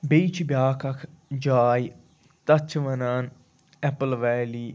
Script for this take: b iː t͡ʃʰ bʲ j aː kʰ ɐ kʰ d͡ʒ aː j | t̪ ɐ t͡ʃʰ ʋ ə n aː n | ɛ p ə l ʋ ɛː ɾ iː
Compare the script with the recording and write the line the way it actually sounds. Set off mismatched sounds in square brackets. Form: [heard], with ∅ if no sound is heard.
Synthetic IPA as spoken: b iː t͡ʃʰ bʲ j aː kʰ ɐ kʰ d͡ʒ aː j | t̪ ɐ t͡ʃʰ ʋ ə n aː n | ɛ p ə l ʋ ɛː [l] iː